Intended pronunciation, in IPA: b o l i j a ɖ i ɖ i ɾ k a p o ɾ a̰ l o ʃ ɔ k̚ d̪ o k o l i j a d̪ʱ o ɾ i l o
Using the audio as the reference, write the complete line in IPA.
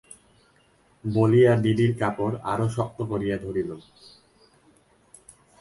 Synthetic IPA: b o l i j a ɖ i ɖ i ɾ k a p o ɾ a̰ ɾ o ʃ ɔ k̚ t̪ o k o ɾ i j a d̪ʱ o ɾ i l o